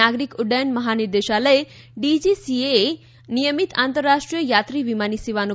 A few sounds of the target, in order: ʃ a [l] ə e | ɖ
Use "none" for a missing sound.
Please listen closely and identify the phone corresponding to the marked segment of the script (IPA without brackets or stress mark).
l